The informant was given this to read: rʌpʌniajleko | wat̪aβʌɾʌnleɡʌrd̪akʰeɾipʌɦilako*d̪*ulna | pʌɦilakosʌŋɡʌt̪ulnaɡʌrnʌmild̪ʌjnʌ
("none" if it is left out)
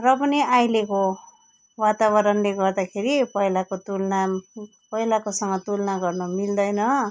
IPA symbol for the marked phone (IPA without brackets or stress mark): t̪